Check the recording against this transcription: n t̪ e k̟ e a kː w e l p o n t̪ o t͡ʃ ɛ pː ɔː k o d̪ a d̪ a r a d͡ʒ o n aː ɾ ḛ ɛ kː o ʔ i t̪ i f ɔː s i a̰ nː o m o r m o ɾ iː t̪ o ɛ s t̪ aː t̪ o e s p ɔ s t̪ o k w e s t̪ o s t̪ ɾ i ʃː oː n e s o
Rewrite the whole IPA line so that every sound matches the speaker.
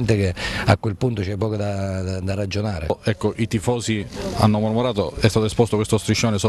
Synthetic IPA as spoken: n t̪ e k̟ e a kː w e l p u n t̪ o t͡ʃ ɛ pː ɔː k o d̪ a d̪ a r a d͡ʒ o n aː ɾ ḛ ɛ kː o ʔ i t̪ i f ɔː s i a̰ nː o m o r m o ɾ aː t̪ o ɛ s t̪ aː t̪ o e s p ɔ s t̪ o k w e s t̪ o s t̪ ɾ i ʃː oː n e s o